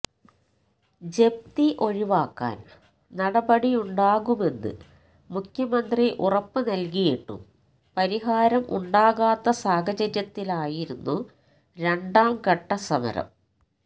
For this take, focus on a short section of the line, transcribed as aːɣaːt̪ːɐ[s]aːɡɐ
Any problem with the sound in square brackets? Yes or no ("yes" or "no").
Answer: no